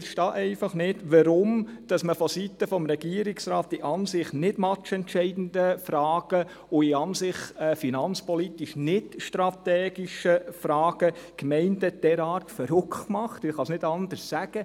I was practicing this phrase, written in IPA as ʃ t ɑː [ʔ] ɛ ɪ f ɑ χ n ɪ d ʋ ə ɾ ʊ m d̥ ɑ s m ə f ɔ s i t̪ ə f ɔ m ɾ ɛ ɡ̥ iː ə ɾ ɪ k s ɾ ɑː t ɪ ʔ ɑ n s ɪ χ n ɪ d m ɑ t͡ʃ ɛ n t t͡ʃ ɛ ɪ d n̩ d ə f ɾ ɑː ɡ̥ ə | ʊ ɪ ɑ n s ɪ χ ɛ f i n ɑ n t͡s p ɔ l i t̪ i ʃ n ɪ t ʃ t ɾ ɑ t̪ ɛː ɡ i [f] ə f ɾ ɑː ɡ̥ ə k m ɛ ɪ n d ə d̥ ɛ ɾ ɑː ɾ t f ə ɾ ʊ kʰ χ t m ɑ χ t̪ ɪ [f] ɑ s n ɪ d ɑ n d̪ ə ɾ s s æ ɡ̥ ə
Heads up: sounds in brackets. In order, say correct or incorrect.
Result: correct, incorrect: ʃ, incorrect: χ

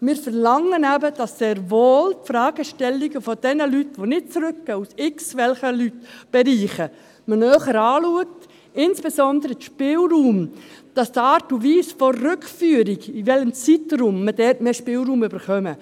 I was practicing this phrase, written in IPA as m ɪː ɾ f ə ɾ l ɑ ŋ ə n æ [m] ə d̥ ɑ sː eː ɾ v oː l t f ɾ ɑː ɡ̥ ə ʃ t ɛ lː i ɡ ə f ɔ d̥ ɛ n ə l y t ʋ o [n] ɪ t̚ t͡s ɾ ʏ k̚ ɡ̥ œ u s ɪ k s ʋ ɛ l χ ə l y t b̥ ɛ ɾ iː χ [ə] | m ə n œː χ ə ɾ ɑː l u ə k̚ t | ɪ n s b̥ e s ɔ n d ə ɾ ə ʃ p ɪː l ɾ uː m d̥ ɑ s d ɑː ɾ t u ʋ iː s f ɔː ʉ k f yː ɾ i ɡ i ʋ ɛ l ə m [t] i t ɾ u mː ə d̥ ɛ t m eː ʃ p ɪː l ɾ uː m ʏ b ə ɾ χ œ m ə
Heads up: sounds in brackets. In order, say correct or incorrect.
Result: incorrect: b, correct, correct, incorrect: t͡s

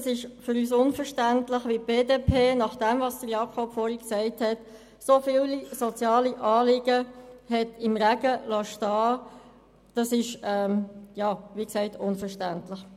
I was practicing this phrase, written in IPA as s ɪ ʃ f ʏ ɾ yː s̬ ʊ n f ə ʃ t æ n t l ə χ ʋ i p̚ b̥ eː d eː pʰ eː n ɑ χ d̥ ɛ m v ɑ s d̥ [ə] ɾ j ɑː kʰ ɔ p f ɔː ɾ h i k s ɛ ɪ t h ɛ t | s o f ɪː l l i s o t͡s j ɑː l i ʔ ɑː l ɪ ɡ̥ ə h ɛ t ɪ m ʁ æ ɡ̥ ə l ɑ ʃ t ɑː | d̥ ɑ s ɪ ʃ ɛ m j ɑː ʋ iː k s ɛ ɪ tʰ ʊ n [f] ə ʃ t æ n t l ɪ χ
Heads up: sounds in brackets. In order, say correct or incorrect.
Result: correct, correct

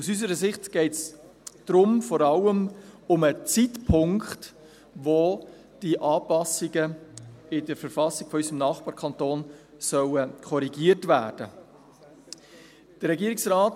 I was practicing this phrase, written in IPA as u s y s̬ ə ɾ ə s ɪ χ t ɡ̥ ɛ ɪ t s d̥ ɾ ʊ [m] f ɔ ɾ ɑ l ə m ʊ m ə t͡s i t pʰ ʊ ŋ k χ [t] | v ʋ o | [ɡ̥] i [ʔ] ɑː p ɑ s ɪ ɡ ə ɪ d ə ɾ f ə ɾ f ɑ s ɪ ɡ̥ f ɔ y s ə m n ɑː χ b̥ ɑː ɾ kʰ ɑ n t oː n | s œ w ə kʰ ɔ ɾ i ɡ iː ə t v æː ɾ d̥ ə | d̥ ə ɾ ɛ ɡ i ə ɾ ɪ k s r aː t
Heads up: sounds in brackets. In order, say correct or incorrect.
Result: correct, correct, incorrect: d̥, correct

